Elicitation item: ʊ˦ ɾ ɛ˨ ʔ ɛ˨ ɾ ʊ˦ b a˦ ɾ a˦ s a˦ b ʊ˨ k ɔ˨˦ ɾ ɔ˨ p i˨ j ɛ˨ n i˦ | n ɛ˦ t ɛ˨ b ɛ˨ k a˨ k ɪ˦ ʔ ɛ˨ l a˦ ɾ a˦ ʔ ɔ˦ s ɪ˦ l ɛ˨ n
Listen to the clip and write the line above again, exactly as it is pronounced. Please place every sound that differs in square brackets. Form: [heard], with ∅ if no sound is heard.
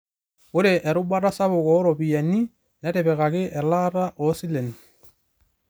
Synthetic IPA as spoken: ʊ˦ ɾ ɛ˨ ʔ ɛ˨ ɾ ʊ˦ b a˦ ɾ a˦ s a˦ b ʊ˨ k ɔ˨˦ ɾ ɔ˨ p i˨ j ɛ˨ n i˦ | n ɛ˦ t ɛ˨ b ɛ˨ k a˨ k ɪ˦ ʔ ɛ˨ l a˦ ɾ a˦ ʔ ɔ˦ s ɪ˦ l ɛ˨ n

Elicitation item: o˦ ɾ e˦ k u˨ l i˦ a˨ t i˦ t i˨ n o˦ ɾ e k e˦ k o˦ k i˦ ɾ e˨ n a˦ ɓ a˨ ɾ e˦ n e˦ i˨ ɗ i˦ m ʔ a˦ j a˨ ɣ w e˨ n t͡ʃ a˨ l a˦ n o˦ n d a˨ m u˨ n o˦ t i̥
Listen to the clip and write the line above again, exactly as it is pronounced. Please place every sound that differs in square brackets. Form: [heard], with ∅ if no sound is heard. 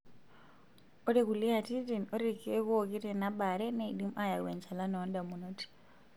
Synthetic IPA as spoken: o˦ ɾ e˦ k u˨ l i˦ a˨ t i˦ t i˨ n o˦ ɾ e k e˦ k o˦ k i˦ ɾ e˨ n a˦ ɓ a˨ ɾ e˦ n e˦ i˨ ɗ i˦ m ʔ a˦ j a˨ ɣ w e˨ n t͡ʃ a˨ l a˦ n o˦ n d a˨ m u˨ n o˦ t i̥

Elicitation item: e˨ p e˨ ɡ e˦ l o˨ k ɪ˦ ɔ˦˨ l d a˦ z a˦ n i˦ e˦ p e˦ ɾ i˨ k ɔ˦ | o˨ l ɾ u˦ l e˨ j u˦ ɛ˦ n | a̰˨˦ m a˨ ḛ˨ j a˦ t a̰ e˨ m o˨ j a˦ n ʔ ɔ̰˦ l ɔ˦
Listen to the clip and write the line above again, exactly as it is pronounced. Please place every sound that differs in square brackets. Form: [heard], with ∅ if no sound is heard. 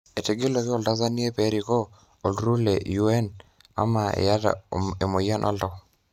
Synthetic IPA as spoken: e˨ [t] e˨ ɡ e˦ l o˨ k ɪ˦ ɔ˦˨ l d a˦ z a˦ n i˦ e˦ p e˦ ɾ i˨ k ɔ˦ | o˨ l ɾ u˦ l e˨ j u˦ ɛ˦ n | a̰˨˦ m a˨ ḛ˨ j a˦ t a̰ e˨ m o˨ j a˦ n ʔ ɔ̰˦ l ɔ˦

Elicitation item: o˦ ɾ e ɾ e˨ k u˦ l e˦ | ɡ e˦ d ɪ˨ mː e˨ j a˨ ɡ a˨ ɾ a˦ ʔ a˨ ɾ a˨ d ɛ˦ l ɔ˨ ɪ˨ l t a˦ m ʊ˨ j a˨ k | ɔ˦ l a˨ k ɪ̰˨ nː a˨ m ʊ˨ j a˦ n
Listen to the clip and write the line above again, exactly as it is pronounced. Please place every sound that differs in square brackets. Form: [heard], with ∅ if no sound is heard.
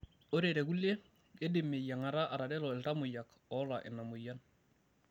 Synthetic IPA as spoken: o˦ ɾ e ɾ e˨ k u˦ l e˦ | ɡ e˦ d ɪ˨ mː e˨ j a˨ [ŋ] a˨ ɾ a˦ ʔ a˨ ɾ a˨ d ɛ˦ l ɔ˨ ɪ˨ l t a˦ m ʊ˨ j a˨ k | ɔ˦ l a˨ [ʔ] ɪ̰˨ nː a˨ m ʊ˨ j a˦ n

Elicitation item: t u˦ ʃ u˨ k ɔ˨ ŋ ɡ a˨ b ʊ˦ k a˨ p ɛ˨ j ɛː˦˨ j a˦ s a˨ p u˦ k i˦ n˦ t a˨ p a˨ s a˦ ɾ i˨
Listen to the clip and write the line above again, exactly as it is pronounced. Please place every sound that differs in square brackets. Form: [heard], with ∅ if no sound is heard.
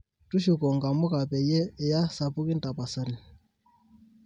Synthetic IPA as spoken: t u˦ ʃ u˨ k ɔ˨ ŋ ɡ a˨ [m] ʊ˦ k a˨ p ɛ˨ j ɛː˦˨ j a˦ s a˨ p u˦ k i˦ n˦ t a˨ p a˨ s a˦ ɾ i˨

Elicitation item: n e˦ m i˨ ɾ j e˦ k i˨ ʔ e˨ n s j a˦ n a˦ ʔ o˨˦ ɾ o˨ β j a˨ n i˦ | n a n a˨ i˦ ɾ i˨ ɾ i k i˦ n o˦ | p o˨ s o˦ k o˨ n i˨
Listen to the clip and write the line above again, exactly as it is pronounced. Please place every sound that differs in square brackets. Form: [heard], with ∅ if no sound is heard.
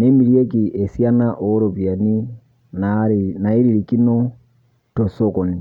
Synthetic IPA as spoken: n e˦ m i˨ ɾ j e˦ k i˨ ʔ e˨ [∅] s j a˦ n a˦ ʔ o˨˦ ɾ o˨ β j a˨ n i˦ | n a n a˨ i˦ ɾ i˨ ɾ i k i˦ n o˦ | [t] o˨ s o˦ k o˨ n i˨

